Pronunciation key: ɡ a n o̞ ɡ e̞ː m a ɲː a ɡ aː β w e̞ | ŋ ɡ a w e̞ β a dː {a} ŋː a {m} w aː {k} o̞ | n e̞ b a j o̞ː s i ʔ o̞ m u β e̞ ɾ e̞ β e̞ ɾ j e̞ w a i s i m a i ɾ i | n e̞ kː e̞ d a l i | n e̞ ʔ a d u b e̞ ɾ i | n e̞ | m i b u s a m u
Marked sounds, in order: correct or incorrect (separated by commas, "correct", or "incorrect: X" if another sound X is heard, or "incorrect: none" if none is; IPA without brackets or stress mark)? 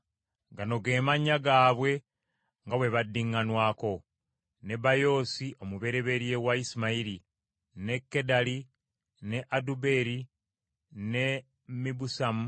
incorrect: i, incorrect: n, correct